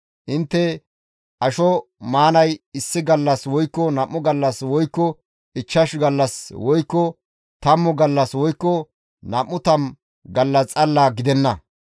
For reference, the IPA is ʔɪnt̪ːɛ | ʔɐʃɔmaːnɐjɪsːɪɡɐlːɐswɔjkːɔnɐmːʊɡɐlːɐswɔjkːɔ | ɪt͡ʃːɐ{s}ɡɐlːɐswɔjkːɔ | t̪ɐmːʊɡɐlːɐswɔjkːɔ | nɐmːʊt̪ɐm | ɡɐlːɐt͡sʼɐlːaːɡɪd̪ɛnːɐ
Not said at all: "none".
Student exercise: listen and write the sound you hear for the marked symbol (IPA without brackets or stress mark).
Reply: ʃ